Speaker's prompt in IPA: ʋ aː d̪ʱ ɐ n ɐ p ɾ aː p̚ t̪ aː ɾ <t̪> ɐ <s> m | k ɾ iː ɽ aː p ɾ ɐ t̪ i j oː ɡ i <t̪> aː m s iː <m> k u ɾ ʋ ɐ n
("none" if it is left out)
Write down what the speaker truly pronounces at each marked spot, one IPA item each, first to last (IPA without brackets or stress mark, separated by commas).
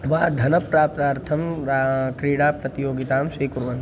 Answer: t̪ʰ, none, t̪, none